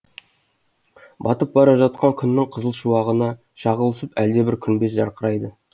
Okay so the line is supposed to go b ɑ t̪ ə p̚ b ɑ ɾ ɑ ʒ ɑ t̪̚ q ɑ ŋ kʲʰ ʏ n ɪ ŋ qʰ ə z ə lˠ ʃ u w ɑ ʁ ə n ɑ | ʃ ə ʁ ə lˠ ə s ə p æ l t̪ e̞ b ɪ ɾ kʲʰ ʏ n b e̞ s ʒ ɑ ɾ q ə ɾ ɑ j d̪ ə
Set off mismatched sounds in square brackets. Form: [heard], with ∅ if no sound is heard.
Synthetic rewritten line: b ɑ t̪ ə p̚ b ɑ ɾ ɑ ʒ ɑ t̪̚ q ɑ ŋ kʲʰ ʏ [nː] ɪ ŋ qʰ ə z ə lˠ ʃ u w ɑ ʁ ə n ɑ | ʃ [ɑ] ʁ ə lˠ ə s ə p æ l [d̪] e̞ b ɪ ɾ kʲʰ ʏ n b e̞ s ʒ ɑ ɾ q ə ɾ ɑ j d̪ ə